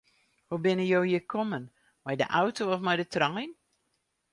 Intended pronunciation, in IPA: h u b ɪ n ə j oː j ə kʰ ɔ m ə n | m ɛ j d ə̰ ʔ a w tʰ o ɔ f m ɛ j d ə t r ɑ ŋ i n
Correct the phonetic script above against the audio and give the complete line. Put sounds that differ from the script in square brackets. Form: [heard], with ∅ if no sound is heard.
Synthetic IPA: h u b ɪ n ə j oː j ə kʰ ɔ m ə n | m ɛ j d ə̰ ʔ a w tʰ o ɔ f m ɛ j d ə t r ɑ ŋ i n